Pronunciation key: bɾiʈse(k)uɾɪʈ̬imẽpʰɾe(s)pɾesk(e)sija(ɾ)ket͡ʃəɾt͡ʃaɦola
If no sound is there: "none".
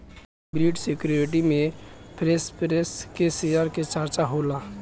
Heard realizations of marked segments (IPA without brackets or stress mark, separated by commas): k, s, e, ɾ